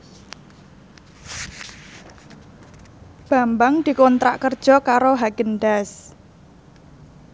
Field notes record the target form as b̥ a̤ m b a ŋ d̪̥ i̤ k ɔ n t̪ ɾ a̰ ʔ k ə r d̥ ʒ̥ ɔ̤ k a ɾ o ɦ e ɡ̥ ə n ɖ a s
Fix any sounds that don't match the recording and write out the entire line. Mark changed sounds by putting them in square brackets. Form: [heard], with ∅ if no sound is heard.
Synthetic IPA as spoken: b̥ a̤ m b a ŋ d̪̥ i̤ k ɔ n t̪ ɾ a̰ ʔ k ə r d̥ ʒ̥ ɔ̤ k a ɾ o ɦ [a] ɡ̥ ə n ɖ a s